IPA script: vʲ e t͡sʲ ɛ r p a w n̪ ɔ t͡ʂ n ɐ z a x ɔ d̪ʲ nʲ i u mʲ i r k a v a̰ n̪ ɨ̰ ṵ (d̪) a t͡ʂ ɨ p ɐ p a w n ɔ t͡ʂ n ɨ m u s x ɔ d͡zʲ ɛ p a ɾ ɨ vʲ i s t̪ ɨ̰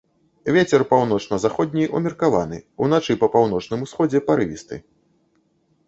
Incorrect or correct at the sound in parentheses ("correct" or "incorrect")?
incorrect